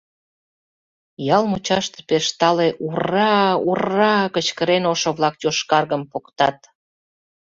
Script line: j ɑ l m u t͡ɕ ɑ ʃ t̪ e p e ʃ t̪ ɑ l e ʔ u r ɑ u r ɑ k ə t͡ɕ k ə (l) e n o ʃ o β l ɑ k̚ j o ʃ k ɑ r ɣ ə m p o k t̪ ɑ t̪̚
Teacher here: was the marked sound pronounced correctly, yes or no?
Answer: no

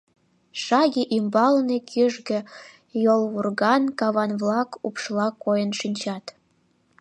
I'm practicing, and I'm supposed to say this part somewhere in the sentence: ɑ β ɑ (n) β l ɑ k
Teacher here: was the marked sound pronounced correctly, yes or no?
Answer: yes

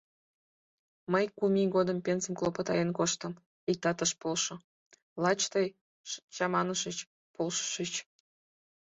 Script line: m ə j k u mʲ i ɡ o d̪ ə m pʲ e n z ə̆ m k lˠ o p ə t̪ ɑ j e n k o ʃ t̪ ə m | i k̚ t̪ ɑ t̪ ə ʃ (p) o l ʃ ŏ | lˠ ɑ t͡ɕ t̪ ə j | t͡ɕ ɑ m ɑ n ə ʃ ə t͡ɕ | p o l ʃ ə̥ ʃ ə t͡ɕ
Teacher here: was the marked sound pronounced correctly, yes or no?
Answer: yes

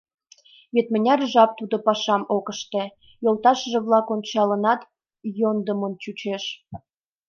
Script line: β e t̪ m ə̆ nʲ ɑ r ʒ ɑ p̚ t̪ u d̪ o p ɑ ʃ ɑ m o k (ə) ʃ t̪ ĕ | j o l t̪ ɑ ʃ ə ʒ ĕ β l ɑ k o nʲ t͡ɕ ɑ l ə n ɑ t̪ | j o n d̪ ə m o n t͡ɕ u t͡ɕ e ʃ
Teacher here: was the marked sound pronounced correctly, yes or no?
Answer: yes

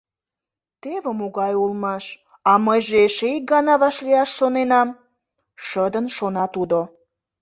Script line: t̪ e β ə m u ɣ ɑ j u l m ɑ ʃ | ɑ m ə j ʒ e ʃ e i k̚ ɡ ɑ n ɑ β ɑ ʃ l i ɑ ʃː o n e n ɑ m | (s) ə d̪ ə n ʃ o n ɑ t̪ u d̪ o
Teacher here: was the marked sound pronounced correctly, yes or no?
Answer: no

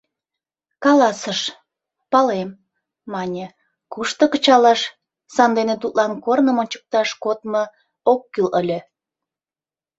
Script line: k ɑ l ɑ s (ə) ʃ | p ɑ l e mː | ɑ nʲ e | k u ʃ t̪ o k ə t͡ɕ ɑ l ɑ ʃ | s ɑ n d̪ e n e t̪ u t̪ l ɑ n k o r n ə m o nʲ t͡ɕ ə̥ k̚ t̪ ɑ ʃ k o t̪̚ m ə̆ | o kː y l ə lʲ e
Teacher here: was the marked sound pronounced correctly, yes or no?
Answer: yes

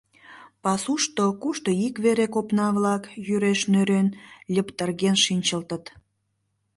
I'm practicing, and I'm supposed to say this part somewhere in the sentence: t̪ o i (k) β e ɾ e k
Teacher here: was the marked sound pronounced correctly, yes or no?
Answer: yes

